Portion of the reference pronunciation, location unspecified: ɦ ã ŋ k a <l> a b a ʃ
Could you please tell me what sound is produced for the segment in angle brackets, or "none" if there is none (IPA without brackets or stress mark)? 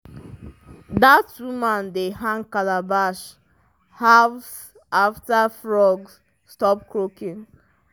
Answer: l